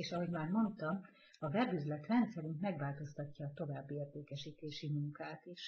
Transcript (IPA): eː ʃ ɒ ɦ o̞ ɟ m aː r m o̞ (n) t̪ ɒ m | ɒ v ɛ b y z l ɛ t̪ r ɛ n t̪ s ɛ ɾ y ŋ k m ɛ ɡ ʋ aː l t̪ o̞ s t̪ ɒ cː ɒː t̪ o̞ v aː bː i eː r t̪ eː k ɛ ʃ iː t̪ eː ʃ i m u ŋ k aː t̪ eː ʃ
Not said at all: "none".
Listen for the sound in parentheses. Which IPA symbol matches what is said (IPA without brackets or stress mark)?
n